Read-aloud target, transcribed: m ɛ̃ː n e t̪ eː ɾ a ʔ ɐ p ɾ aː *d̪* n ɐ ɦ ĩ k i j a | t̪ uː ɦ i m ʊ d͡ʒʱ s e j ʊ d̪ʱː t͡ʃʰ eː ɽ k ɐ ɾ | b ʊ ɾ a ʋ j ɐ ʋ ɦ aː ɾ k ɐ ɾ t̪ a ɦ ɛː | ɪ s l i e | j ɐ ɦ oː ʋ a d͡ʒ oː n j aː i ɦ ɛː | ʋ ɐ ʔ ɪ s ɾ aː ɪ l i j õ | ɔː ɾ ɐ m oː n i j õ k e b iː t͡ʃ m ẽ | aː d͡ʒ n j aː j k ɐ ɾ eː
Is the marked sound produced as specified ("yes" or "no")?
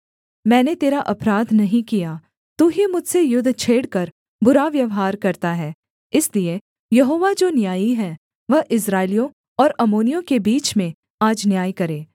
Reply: yes